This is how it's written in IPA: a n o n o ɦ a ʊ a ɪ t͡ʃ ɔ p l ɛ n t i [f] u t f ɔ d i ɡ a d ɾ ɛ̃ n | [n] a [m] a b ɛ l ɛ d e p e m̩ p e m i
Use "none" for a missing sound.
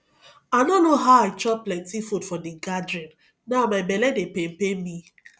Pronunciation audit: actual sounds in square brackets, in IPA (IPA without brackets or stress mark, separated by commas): f, n, m